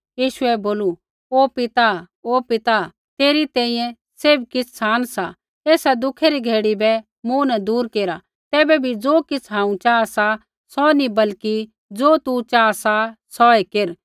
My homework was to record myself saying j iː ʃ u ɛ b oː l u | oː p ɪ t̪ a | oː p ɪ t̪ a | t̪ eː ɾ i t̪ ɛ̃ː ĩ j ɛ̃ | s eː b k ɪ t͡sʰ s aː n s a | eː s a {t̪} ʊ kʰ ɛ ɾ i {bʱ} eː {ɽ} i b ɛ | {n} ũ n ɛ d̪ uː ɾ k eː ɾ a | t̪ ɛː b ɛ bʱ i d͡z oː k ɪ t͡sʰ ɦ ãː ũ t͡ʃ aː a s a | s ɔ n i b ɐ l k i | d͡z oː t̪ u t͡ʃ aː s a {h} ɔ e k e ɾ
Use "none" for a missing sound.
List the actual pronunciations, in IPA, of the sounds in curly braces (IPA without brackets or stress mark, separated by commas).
d̪, ɡʱ, ɽ, m, s